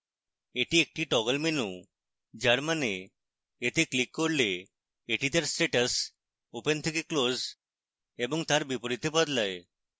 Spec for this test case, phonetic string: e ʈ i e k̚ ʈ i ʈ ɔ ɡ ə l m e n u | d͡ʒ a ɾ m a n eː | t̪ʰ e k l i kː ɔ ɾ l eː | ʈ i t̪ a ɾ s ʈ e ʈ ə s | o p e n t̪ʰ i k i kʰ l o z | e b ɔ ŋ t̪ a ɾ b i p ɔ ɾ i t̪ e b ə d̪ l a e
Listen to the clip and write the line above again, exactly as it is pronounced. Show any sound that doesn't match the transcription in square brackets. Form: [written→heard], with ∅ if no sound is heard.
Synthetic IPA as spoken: e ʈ i e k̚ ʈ i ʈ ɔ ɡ ə l m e n u | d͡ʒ a ɾ m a n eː | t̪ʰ e k l i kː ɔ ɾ l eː | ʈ i t̪ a ɾ s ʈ e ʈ ə s | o p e n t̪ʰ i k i [kʰ→k] l o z | e b ɔ ŋ t̪ a ɾ b i p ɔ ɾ i t̪ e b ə d̪ l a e